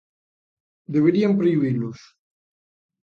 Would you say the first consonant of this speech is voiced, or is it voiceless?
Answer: voiced